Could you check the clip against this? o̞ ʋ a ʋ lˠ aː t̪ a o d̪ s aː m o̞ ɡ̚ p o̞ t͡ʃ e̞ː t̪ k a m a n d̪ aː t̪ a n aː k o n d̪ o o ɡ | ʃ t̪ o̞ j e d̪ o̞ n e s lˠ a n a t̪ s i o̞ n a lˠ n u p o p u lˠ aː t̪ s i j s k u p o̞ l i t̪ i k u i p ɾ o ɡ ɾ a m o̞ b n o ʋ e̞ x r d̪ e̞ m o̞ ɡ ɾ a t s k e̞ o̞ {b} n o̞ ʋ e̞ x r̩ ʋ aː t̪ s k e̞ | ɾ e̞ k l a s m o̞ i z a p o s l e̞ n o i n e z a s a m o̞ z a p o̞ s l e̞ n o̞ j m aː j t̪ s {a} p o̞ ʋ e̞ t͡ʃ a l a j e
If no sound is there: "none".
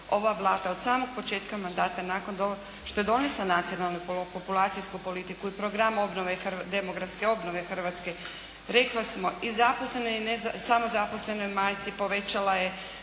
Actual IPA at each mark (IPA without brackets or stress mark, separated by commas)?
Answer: b, i